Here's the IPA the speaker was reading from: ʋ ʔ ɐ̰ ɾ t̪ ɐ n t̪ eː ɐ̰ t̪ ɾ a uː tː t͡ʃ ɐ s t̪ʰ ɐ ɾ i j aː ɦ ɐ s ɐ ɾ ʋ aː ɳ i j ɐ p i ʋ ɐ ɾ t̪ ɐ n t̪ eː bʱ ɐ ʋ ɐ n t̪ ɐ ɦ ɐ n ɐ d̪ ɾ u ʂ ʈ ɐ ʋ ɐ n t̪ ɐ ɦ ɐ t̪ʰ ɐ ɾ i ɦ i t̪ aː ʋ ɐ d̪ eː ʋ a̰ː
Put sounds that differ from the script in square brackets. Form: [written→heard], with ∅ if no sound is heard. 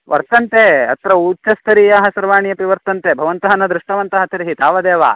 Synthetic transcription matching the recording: ʋ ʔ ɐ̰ ɾ t̪ ɐ n t̪ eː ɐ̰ t̪ ɾ [a→ɐ] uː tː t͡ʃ ɐ s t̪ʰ ɐ ɾ i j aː ɦ ɐ s ɐ ɾ ʋ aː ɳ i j ɐ p i ʋ ɐ ɾ t̪ ɐ n t̪ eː bʱ ɐ ʋ ɐ n t̪ ɐ ɦ ɐ n ɐ d̪ ɾ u ʂ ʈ ɐ ʋ ɐ n t̪ ɐ ɦ ɐ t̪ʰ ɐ ɾ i ɦ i t̪ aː ʋ ɐ d̪ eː ʋ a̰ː